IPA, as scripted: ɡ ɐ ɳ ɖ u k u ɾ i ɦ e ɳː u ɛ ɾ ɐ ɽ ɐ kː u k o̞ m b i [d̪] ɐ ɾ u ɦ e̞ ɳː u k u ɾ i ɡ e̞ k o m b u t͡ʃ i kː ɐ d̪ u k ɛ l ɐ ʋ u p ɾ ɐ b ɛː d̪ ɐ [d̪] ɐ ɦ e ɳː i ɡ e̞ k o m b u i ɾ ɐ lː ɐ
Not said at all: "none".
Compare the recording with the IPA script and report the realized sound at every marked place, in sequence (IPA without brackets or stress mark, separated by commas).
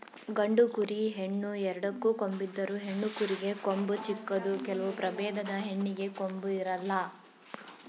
d̪ː, d̪